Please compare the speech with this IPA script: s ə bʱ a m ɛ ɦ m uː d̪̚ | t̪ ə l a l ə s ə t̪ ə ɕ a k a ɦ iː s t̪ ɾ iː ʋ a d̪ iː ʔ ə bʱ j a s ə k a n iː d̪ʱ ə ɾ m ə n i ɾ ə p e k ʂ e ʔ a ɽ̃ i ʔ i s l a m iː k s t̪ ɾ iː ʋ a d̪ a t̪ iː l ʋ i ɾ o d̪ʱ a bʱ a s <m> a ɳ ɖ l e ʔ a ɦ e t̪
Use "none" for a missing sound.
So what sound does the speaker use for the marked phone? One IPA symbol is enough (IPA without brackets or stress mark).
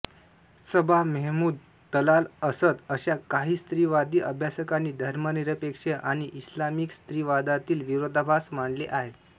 m